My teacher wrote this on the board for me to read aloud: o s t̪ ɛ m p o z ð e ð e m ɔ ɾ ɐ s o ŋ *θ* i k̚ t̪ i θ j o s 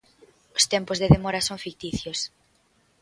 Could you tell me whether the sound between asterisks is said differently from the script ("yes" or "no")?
yes